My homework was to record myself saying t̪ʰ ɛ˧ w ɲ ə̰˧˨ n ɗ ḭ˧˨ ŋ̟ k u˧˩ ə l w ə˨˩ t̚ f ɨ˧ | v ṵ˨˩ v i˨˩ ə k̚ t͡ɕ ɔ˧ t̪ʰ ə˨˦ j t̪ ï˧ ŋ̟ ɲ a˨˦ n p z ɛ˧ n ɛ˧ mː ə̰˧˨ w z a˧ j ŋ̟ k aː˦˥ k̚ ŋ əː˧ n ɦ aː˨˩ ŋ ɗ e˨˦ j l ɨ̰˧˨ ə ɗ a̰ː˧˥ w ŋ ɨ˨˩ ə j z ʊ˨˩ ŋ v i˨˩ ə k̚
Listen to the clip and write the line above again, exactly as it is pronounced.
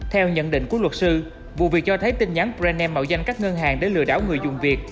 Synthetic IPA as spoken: t̪ʰ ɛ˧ w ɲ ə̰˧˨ n ɗ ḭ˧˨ ŋ̟ k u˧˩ ə l w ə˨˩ t̚ s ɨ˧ | v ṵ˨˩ v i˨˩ ə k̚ t͡ɕ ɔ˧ t̪ʰ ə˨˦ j t̪ ï˧ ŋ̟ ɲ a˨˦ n p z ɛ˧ n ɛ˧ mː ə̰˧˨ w z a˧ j ŋ̟ k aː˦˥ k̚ ŋ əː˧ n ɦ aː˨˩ ŋ ɗ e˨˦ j l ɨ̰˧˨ ə ɗ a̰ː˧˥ w ŋ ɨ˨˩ ə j z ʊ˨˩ ŋ͡m v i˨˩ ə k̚